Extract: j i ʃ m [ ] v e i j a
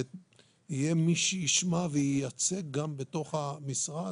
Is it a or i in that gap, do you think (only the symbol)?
a